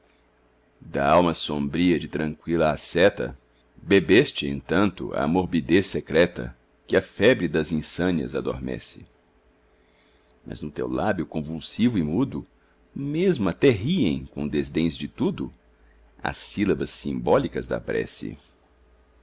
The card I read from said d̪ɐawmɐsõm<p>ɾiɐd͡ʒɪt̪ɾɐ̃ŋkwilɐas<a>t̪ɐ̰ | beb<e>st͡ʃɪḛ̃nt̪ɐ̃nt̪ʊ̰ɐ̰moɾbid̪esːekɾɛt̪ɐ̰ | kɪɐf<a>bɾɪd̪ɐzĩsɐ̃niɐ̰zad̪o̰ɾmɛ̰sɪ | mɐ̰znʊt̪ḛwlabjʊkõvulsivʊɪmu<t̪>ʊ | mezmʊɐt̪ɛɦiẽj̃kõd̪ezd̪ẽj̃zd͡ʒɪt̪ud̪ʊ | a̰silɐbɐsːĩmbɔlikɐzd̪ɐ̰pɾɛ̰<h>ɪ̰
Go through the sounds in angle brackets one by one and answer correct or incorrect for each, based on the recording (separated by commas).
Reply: incorrect, incorrect, correct, incorrect, incorrect, incorrect